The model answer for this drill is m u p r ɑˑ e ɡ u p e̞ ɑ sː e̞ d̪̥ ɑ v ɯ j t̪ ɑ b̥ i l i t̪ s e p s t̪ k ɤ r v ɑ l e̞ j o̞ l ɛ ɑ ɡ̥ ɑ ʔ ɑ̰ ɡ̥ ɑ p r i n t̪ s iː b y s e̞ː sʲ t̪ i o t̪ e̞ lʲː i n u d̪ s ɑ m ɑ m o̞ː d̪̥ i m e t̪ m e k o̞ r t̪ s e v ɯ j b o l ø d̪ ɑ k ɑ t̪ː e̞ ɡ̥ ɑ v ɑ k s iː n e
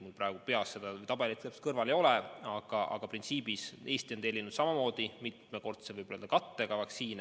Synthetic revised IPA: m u p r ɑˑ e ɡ u p e̞ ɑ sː e̞ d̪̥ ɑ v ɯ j t̪ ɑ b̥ e l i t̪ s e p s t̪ k ɤ r v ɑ l e̞ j o̞ l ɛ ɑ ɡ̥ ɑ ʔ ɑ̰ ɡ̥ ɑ p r i n t̪ s iː b i s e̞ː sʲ t̪ i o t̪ e̞ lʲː i n u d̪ s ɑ m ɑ m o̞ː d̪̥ i m i t̪ m e k o̞ r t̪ s e v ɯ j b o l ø d̪ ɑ k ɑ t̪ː e̞ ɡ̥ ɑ v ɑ k s iː n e